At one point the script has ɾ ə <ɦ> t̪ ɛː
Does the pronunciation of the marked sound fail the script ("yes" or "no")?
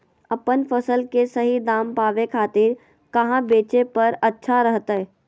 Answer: no